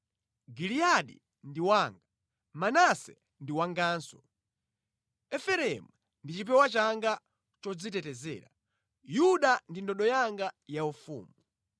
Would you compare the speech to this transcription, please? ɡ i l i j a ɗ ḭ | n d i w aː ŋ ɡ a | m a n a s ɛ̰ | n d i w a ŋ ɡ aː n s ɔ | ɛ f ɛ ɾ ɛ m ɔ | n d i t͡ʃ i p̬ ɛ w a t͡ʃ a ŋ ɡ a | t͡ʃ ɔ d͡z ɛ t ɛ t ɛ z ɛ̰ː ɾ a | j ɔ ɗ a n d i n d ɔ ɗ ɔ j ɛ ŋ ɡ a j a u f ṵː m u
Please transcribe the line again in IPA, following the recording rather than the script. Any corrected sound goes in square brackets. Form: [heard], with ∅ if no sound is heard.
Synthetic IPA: ɡ i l i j a ɗ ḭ | n d i w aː ŋ ɡ a | m a n a s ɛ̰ | n d i w a ŋ ɡ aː n s ɔ | ɛ f ɛ ɾ ɛ m [u] | n d i t͡ʃ i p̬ ɛ w a t͡ʃ a ŋ ɡ a | t͡ʃ ɔ d͡z [i] t ɛ t ɛ z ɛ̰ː ɾ a | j [u] ɗ a n d i n d ɔ ɗ ɔ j [a] ŋ ɡ a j a u f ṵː m u